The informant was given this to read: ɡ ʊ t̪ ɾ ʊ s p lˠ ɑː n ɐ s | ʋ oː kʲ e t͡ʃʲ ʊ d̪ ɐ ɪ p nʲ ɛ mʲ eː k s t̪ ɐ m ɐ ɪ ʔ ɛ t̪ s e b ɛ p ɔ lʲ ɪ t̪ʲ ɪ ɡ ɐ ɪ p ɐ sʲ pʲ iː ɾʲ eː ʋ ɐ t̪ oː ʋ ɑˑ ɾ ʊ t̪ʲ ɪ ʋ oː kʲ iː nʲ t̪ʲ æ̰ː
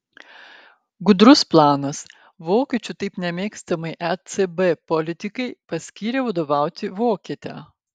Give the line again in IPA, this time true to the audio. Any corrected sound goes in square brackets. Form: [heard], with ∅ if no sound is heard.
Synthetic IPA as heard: ɡ ʊ [d̪] ɾ ʊ s p lˠ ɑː n ɐ s | ʋ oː kʲ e t͡ʃʲ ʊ [t̪] ɐ ɪ p nʲ ɛ mʲ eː k s t̪ ɐ m ɐ ɪ ʔ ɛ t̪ s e b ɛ p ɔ lʲ ɪ t̪ʲ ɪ [k] ɐ ɪ p ɐ sʲ [kʲ] iː ɾʲ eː ʋ ɐ [d̪] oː ʋ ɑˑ [∅] ʊ t̪ʲ ɪ ʋ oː kʲ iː [∅] t̪ʲ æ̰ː